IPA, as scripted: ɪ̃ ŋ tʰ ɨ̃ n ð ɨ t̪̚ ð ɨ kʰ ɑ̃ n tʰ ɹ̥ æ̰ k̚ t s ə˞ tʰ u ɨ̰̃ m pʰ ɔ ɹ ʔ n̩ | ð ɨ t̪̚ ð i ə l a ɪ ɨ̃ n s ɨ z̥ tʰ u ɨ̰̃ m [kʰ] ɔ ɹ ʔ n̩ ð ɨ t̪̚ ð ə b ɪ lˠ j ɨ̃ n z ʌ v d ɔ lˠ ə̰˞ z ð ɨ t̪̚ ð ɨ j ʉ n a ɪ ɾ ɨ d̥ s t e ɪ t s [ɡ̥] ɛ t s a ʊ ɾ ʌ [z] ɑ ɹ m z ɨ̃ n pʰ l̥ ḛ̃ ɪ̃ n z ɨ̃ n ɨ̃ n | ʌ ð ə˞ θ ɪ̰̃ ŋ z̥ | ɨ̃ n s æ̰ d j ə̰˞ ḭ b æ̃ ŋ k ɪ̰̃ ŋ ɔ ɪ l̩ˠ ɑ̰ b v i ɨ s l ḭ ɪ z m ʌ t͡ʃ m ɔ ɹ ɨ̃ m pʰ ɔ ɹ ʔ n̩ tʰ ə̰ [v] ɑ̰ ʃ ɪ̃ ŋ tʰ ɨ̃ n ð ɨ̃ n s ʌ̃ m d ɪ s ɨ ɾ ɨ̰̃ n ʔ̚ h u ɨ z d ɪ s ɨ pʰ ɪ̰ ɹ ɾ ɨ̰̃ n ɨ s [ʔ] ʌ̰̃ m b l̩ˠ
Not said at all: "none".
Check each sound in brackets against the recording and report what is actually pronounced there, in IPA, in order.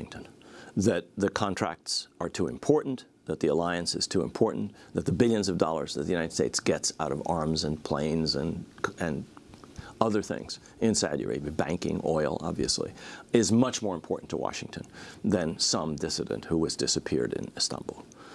pʰ, ɡ̥, v, w, t

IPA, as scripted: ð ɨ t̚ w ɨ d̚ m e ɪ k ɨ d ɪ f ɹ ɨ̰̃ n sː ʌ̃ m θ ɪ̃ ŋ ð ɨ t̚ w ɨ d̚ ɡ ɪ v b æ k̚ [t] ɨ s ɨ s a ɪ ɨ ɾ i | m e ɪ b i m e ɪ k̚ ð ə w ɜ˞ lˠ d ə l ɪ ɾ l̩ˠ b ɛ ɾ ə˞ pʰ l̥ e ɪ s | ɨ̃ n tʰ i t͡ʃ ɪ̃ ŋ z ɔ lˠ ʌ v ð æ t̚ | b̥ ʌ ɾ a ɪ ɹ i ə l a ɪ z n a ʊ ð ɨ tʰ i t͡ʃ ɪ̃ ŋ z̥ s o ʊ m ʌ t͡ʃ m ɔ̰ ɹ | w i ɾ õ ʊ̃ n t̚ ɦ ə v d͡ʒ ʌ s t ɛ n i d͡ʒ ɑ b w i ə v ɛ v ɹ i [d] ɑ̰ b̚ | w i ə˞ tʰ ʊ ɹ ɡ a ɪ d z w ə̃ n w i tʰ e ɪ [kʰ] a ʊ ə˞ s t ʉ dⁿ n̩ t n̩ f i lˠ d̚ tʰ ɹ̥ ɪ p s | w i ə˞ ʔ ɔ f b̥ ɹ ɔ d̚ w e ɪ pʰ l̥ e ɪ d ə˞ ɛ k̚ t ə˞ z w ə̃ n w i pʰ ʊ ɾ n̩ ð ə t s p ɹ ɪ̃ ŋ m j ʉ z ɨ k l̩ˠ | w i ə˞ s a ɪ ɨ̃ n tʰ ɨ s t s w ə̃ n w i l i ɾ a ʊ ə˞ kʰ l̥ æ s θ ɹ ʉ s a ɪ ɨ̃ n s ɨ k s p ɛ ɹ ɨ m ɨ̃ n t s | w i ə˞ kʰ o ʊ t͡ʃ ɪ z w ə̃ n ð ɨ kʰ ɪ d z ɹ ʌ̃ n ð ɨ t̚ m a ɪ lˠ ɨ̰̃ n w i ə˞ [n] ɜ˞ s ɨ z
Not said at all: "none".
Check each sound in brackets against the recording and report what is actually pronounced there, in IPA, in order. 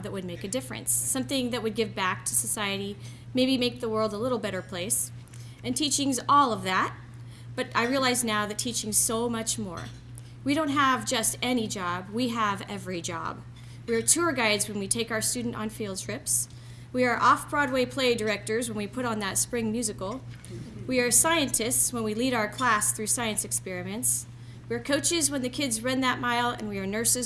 tʰ, d͡ʒ, k, n

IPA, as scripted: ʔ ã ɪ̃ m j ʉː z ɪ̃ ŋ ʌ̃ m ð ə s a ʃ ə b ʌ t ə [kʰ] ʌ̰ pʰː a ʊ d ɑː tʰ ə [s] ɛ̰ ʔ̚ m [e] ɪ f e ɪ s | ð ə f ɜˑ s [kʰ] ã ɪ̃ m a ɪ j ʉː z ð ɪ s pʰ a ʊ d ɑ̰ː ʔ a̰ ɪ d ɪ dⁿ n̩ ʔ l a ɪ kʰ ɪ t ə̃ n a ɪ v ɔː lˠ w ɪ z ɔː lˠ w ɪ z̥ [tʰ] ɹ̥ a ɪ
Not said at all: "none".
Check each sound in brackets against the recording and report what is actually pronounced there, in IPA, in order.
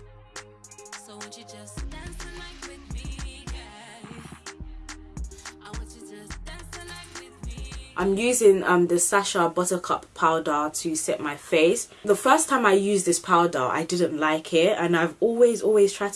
kʰ, s, a, tʰ, tʰ

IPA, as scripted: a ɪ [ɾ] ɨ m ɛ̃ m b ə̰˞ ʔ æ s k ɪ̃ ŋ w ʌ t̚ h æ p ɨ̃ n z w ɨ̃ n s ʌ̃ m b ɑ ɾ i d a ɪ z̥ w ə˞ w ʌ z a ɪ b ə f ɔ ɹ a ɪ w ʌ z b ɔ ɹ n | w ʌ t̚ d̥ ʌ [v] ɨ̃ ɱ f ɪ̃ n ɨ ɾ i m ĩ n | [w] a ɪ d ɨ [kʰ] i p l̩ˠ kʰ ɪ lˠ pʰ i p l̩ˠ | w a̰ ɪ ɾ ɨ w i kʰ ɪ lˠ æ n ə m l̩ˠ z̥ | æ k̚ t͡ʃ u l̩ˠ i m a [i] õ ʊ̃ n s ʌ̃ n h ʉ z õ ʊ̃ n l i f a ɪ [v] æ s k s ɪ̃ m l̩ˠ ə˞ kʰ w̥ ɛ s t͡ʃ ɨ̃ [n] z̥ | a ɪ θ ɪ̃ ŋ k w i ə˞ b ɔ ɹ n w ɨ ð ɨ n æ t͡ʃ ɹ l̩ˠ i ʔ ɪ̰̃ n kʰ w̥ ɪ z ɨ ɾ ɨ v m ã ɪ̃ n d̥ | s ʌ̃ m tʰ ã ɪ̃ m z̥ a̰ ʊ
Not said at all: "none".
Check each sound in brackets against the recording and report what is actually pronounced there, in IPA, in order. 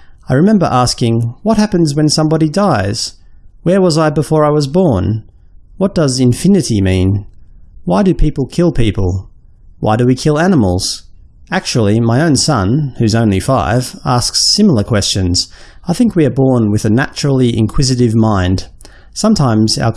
ɹ, z, w, pʰ, ɪ, v, n

